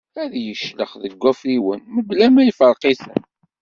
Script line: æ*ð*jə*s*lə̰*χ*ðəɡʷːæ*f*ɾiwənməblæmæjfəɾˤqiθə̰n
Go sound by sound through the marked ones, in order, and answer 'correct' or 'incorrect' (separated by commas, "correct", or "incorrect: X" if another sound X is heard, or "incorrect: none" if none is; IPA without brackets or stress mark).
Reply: correct, incorrect: ʃ, correct, correct